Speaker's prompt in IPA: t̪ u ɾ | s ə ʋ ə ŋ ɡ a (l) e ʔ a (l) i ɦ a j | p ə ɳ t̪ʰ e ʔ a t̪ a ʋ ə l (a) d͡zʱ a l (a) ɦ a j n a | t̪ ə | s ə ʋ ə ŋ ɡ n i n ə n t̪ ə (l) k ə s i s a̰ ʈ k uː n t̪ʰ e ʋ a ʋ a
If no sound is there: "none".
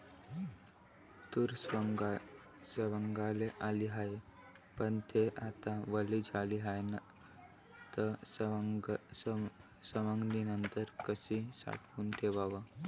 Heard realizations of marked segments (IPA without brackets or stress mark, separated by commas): l, l, i, i, ɾ